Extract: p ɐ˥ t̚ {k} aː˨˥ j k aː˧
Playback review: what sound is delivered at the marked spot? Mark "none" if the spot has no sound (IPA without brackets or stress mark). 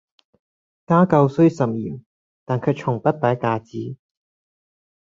p